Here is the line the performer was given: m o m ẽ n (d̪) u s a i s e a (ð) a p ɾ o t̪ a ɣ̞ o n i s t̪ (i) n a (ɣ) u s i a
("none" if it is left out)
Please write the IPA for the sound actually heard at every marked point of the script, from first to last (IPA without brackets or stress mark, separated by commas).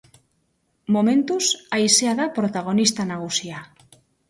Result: t̪, ð, a, ɣ